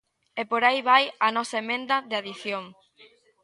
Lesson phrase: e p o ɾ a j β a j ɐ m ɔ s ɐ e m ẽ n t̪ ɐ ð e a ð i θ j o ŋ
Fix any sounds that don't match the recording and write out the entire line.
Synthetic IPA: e p o ɾ a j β a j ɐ n ɔ s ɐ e m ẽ n d̪ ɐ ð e a ð i θ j o ŋ